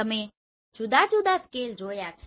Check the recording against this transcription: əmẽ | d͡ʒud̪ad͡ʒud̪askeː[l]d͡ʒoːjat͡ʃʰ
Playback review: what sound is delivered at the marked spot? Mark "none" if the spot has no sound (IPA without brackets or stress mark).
l